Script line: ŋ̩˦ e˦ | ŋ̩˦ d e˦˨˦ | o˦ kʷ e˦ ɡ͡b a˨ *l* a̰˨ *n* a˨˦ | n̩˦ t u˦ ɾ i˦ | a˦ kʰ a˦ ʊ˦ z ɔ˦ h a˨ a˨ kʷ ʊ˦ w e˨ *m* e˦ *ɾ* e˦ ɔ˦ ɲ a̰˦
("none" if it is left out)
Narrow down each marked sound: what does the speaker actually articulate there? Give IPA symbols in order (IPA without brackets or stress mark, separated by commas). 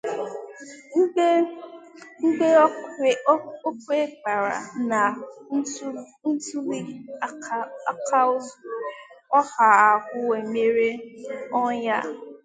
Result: ɾ, n, m, ɾ